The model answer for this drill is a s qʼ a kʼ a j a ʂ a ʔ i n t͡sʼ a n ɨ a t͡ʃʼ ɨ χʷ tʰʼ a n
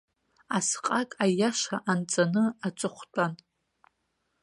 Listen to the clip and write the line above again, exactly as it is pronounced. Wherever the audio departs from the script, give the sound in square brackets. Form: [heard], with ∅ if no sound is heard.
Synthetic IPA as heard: a s qʼ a kʼ a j a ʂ a ʔ [a] n t͡sʼ a n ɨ a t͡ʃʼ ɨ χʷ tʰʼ a n